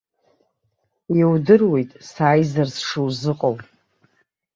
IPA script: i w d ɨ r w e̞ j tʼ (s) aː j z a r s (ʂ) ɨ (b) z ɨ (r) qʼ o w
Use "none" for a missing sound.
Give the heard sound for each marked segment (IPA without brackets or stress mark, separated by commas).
s, ʂ, w, none